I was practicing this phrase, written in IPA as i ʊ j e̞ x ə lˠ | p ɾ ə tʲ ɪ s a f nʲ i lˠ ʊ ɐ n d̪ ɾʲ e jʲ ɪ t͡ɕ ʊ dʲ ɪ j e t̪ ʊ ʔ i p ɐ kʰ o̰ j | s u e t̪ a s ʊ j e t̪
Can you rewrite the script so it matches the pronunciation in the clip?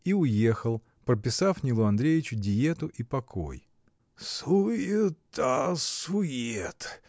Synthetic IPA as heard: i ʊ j e̞ x ə lˠ | p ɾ ə pʲ ɪ s a f nʲ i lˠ ʊ ɐ n d̪ ɾʲ e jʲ ɪ t͡ɕ ʊ dʲ ɪ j e t̪ ʊ ʔ i p ɐ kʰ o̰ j | s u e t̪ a s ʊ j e t̪